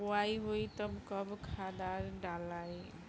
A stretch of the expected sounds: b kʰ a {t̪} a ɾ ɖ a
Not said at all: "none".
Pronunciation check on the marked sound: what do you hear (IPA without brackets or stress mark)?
d̪